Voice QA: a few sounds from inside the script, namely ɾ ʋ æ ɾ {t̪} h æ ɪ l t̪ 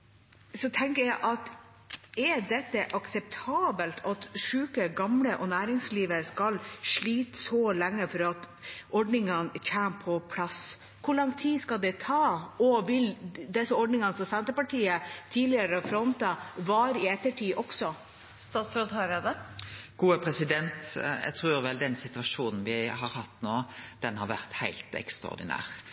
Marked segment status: correct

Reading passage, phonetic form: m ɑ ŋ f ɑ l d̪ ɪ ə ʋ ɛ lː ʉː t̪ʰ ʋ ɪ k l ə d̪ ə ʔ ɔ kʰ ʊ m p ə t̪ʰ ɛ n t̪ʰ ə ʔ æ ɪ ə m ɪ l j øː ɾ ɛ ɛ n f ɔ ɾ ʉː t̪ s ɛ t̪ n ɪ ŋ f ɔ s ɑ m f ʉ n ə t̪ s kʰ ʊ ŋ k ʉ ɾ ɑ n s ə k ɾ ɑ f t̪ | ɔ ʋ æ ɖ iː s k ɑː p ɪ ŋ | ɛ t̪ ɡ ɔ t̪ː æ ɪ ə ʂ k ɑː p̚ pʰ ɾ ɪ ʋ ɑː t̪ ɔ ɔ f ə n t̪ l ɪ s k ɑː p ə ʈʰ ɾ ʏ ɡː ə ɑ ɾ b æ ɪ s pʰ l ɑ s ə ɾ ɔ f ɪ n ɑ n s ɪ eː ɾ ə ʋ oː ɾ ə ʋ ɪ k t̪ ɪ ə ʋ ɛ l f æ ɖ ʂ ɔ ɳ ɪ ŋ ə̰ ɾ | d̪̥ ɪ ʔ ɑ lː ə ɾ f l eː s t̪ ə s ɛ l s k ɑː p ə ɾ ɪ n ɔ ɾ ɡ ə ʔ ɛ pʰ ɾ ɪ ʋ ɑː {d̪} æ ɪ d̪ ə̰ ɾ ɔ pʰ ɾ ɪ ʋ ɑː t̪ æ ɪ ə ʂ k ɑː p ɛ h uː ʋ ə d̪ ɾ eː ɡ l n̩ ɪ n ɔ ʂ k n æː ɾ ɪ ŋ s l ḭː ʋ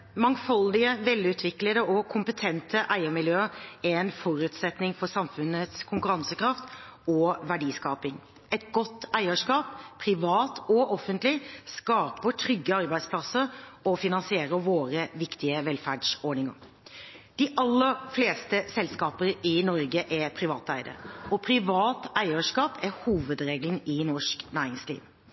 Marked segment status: incorrect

